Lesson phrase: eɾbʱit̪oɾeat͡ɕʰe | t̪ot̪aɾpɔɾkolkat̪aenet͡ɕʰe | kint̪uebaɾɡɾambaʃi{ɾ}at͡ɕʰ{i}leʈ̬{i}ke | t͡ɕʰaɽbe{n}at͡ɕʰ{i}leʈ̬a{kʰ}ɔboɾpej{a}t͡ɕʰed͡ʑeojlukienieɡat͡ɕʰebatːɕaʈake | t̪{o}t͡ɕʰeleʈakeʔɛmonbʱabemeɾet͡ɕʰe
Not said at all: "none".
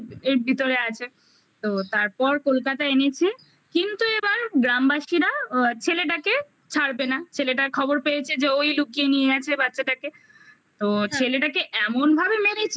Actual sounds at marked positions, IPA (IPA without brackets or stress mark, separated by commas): ɾ, e, a, n, e, kʰ, e, o